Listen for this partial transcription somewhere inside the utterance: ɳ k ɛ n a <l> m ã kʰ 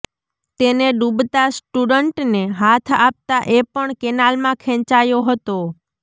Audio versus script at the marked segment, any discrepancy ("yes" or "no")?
no